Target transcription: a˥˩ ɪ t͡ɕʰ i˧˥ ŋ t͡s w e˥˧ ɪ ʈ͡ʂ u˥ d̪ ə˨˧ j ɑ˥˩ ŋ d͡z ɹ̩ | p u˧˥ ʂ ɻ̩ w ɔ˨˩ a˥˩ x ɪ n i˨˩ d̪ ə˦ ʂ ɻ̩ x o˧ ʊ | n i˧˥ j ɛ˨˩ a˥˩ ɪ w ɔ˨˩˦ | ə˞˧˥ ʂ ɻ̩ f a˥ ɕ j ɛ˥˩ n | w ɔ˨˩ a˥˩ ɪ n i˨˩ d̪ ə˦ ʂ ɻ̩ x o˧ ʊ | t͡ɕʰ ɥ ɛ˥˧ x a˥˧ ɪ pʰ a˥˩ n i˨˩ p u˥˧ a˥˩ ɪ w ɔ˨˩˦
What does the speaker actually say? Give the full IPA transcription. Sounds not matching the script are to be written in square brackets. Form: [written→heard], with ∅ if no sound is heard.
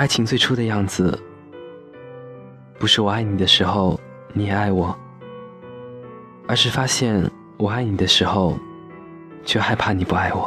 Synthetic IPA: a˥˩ ɪ t͡ɕʰ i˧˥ ŋ t͡s w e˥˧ ɪ [ʈ͡ʂ→ʈ͡ʂʰ] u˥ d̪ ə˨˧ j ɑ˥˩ ŋ d͡z ɹ̩ | p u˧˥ ʂ ɻ̩ w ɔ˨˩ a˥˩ [x→∅] ɪ n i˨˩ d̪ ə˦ ʂ ɻ̩ x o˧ ʊ | n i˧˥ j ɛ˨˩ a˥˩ ɪ w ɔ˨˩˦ | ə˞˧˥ ʂ ɻ̩ f a˥ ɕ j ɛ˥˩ n | w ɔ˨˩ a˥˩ ɪ n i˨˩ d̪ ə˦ ʂ ɻ̩ x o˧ ʊ | t͡ɕʰ ɥ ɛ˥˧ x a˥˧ ɪ pʰ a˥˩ n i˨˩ p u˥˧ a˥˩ ɪ w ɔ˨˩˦